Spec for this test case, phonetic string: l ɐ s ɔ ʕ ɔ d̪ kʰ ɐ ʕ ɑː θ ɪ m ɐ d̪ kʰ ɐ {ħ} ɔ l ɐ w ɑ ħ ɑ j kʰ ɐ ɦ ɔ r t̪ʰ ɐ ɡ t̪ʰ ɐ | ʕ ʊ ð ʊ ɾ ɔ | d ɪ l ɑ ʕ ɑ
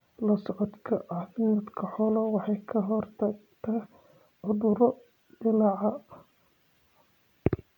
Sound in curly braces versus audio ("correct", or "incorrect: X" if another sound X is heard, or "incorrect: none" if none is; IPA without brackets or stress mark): correct